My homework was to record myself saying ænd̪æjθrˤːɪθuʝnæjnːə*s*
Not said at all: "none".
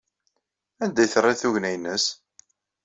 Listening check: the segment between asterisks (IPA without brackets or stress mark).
s